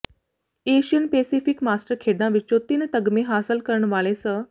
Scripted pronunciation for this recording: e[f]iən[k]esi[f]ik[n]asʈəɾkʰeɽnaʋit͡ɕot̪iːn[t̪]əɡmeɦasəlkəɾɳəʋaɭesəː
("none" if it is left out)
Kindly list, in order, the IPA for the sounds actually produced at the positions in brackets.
ɕ, p, f, m, t̪

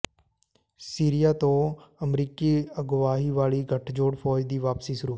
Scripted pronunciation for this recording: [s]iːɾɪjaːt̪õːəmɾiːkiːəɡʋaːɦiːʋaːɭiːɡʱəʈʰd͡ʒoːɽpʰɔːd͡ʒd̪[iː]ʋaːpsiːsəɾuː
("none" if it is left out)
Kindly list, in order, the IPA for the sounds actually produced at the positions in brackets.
s, iː

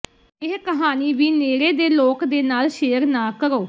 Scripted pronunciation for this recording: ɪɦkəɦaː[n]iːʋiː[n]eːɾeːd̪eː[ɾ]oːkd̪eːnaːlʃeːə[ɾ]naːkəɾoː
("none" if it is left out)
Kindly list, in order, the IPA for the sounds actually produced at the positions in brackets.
n, n, l, ɾ

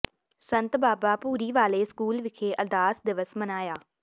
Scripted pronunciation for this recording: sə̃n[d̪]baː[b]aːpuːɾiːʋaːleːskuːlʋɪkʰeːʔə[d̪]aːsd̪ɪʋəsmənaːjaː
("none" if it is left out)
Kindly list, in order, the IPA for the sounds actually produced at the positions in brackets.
t̪, b, d̪

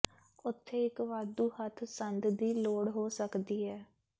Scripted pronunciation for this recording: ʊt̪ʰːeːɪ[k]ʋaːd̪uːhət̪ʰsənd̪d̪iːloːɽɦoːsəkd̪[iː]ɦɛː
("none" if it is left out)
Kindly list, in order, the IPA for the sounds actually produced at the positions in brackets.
k, iː

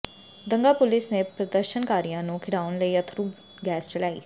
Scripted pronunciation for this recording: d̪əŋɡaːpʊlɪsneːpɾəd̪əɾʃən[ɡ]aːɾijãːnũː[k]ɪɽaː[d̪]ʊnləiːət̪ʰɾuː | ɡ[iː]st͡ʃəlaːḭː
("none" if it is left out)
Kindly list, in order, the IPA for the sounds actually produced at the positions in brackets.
k, kʰ, none, ɛː

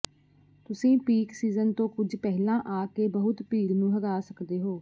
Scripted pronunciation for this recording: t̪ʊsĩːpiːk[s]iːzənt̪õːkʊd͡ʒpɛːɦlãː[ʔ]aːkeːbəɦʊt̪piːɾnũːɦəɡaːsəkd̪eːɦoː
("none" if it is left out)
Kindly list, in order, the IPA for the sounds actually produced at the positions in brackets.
s, ʔ

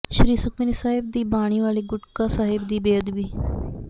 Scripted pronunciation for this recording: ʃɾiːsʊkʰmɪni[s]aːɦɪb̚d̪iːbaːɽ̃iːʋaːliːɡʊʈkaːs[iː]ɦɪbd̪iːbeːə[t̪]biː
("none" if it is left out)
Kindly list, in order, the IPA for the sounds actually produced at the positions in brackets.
s, aː, d̪

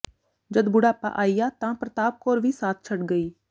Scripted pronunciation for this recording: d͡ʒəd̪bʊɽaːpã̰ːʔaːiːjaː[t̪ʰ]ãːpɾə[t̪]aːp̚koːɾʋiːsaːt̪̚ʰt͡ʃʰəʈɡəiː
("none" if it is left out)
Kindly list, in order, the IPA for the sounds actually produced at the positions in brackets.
t̪, t̪

